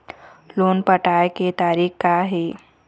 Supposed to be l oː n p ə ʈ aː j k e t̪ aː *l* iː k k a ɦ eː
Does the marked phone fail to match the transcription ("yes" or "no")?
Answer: yes